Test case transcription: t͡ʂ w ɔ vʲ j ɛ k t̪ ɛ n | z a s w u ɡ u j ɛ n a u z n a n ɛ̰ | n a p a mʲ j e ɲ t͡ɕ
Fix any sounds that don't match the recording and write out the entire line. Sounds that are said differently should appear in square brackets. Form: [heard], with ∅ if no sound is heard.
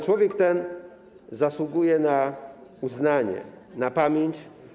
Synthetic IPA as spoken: t͡ʂ w ɔ vʲ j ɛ k t̪ ɛ n | z a s w u ɡ u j ɛ n a u z n a [ɲ] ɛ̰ | n a p a mʲ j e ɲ t͡ɕ